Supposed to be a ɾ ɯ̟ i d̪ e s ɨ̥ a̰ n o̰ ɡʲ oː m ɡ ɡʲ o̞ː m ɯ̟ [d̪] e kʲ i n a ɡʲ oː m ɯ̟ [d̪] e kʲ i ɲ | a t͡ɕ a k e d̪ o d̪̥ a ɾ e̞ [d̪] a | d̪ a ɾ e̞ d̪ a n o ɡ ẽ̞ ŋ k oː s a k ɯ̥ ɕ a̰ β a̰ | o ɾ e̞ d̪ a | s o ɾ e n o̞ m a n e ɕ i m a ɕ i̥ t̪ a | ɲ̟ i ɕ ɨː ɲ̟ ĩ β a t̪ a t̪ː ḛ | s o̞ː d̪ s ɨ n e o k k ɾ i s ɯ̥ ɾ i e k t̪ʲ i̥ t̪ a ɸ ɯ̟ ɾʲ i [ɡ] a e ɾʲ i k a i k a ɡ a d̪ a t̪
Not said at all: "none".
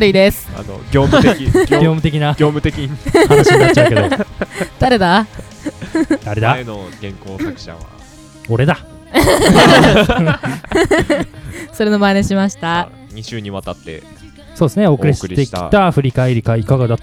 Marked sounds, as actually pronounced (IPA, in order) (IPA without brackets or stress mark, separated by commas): t̪, t̪, d̪, k